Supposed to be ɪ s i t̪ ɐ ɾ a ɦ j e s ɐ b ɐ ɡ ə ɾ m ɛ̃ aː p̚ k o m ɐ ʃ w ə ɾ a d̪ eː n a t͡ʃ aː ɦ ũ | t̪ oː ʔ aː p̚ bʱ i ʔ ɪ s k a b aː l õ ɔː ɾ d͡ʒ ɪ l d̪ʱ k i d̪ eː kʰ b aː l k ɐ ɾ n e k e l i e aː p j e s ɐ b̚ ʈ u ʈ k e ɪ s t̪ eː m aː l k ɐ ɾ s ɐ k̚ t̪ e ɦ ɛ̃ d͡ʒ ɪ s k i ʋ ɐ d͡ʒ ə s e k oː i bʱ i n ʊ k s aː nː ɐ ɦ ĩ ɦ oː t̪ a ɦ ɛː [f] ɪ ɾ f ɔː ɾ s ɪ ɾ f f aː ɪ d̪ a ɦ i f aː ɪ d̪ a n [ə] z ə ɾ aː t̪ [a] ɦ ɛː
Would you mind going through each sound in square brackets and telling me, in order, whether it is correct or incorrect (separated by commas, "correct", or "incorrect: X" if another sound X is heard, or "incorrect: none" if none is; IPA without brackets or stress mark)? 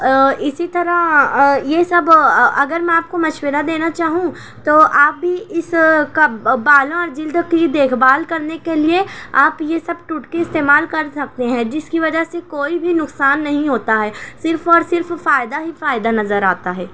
incorrect: s, incorrect: ɐ, correct